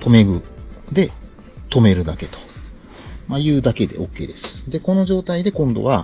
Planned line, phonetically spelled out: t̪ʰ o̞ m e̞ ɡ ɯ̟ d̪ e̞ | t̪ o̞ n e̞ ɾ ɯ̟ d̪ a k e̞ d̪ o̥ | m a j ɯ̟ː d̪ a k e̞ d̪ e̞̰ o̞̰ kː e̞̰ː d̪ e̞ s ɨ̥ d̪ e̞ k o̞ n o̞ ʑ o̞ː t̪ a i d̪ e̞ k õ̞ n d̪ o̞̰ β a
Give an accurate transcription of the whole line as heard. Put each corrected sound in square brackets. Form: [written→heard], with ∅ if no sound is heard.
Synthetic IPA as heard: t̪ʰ o̞ m e̞ ɡ ɯ̟ d̪ e̞ | t̪ o̞ [n→m] e̞ ɾ ɯ̟ d̪ a k e̞ [d̪→t̪] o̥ | m a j ɯ̟ː d̪ a k e̞ d̪ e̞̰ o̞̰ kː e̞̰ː d̪ e̞ s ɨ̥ d̪ e̞ k o̞ n o̞ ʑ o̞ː t̪ a i d̪ e̞ k õ̞ n d̪ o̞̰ β a

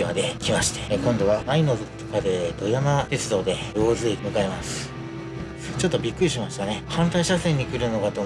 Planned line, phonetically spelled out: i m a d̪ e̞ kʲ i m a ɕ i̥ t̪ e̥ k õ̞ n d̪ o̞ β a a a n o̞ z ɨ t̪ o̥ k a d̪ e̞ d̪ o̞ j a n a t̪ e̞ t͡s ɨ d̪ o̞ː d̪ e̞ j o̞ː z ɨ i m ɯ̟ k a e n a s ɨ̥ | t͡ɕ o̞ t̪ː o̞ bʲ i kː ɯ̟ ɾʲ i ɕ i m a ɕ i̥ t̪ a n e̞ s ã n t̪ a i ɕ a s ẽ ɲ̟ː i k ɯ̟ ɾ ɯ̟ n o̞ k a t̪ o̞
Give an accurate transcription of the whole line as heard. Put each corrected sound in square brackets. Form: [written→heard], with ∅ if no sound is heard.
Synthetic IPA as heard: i m a d̪ e̞ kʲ i m a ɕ i̥ t̪ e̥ k õ̞ n d̪ o̞ β a a [a→i] n o̞ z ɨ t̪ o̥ k a d̪ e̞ d̪ o̞ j a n a t̪ e̞ t͡s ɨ d̪ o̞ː d̪ e̞ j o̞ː z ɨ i m ɯ̟ k a e [n→m] a s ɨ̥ | t͡ɕ o̞ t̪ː o̞ bʲ i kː ɯ̟ ɾʲ i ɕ i m a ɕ i̥ t̪ a n e̞ [s→h] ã n t̪ a i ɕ a s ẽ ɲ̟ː i k ɯ̟ ɾ ɯ̟ n o̞ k a t̪ o̞

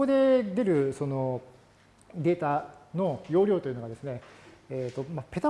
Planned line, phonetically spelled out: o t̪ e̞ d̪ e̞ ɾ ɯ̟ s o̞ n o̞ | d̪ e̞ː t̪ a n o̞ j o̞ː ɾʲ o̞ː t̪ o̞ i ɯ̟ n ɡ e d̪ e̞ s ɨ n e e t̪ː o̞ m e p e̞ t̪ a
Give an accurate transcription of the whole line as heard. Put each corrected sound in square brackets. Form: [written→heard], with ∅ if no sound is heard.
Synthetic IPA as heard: o [t̪→d̪] e̞ d̪ e̞ ɾ ɯ̟ s o̞ n o̞ | d̪ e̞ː t̪ a n o̞ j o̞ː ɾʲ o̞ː t̪ o̞ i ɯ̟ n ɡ [e→a] d̪ e̞ s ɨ n e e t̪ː o̞ m [e→a] p e̞ t̪ a

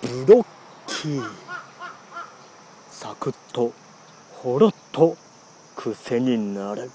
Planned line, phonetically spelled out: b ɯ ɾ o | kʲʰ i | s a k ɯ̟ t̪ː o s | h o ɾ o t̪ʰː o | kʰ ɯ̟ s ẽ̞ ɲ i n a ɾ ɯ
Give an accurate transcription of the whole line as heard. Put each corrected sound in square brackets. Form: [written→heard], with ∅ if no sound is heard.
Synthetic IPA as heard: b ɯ ɾ o | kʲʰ i | s a k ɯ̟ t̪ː o [s→∅] | h o ɾ o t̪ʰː o | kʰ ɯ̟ s [ẽ̞→e̞] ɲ i n a ɾ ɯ

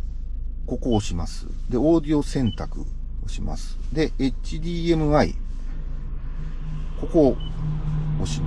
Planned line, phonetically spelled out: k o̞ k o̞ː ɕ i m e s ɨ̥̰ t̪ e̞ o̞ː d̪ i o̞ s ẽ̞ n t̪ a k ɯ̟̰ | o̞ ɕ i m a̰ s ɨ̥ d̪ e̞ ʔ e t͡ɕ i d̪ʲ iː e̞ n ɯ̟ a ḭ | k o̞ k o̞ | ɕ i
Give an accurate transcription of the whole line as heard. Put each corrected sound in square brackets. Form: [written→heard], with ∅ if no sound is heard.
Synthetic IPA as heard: k o̞ k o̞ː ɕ i m [e→a] s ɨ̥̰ [t̪→d̪] e̞ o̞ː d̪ i o̞ s ẽ̞ n t̪ a k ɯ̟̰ | o̞ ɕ i m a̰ s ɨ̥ d̪ e̞ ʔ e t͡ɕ i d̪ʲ iː e̞ [n→m] ɯ̟ a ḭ | k o̞ k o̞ | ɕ i

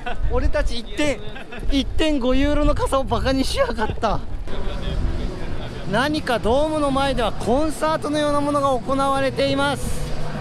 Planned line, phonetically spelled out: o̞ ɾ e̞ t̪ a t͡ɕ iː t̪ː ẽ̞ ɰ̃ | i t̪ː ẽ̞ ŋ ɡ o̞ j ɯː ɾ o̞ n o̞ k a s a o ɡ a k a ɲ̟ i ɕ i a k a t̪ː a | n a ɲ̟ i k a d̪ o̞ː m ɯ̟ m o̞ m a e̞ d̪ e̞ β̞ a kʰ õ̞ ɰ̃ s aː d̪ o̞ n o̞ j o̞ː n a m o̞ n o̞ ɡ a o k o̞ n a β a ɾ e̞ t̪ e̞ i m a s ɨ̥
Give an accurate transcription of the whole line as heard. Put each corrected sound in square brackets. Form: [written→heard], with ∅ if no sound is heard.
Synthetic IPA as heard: o̞ ɾ e̞ t̪ a t͡ɕ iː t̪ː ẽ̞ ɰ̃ | i t̪ː ẽ̞ ŋ ɡ o̞ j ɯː ɾ o̞ n o̞ k a s a o [ɡ→b] a k a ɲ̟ i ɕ i a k a t̪ː a | n a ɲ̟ i k a d̪ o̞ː m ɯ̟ [m→n] o̞ m a e̞ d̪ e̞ β̞ a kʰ õ̞ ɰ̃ s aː [d̪→t̪] o̞ n o̞ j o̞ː n a m o̞ n o̞ ɡ a o k o̞ n a β a ɾ e̞ t̪ e̞ i m a s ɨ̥

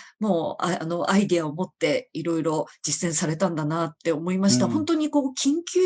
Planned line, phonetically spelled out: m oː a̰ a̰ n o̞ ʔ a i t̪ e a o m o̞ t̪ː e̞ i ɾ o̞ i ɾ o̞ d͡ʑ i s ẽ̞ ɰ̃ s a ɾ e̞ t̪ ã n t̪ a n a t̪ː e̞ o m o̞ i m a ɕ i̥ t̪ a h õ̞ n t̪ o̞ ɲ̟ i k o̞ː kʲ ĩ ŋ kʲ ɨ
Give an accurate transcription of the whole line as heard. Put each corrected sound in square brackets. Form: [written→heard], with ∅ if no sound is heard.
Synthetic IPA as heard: m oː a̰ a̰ n o̞ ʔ a i [t̪→d̪] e a o m o̞ t̪ː e̞ i ɾ o̞ i ɾ o̞ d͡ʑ i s ẽ̞ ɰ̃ s a ɾ e̞ t̪ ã n [t̪→d̪] a n a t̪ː e̞ o m o̞ i m a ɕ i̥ t̪ a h õ̞ n t̪ o̞ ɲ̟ i k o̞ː kʲ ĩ ŋ kʲ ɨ

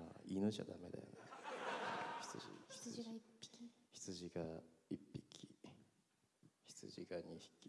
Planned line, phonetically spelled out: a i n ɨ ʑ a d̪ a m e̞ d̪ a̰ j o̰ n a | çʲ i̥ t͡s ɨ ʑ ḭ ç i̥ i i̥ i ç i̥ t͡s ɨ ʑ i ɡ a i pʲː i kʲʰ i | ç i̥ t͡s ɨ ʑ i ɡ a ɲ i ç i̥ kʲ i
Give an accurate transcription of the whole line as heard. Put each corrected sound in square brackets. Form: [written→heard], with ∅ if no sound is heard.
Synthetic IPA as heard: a i n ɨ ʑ a d̪ a m e̞ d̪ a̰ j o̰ n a | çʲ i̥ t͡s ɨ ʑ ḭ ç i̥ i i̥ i ç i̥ t͡s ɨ ʑ i ɡ a i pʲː i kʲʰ i | ç i̥ t͡s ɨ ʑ i ɡ a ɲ i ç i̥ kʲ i

